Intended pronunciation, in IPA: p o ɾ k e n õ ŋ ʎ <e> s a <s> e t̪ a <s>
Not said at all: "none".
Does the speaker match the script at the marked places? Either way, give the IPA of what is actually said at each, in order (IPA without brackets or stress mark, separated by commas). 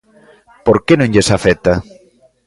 e, f, none